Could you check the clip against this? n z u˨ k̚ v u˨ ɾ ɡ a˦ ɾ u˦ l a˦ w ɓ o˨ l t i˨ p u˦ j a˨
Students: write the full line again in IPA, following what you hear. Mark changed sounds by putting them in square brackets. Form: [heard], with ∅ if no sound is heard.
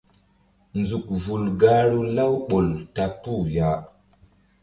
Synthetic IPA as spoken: n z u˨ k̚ v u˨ [l] ɡ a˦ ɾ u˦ l a˦ w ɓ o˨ l t [a˨] p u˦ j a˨